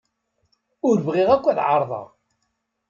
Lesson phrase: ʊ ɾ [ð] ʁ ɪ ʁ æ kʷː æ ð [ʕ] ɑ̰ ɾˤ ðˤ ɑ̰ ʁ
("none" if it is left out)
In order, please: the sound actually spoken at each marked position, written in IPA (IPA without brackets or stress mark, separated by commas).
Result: v, ʕ